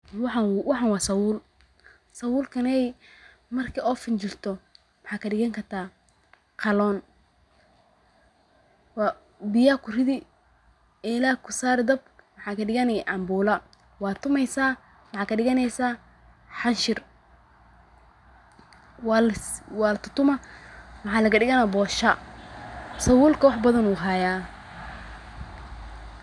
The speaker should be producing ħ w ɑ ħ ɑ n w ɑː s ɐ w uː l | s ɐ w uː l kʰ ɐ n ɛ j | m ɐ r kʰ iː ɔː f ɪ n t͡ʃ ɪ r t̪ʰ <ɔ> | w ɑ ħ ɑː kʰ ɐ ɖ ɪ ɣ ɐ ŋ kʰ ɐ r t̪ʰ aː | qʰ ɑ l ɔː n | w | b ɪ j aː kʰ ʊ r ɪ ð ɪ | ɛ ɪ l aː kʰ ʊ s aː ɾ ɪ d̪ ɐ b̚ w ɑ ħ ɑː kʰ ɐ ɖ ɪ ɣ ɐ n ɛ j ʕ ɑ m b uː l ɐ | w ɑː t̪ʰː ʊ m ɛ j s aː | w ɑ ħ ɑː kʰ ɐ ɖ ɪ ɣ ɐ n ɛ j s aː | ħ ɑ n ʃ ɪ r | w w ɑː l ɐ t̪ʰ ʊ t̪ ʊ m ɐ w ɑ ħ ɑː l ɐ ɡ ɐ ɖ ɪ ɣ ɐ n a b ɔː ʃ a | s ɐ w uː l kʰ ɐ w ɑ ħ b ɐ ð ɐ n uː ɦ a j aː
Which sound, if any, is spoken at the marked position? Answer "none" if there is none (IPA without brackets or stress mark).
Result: ɔ